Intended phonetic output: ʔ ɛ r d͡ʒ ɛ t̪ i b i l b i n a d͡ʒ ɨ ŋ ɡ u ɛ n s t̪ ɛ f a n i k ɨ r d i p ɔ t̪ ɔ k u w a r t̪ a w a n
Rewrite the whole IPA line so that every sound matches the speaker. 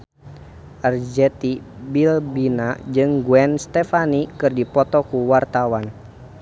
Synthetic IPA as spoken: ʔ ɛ r d͡ʒ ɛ t̪ i b i l b i n a d͡ʒ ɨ ŋ ɡ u ɛ n s t̪ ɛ f a n i k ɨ r d i p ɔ t̪ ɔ k u w a r t̪ a w a n